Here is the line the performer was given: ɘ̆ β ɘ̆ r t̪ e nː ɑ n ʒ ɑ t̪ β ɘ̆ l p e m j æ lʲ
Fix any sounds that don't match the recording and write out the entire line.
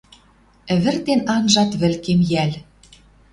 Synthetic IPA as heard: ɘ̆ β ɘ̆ r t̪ e n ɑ n ʒ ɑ t̪ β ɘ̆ l k e m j æ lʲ